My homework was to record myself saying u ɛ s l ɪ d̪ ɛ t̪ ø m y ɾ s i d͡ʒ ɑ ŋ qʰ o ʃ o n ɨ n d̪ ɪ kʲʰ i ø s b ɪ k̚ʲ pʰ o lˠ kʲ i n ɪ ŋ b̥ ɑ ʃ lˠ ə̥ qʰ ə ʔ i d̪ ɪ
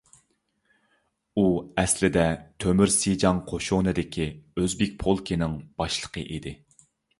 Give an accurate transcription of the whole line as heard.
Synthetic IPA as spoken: u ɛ s l ɪ d̪ ɛ t̪ʰ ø m y ɾ s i d͡ʒ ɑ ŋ qʰ o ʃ o n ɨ d̪ ɪ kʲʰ i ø z b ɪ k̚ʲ pʰ o lˠ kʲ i n ɪ ŋ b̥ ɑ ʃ lˠ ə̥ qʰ ə ʔ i d̪ ɪ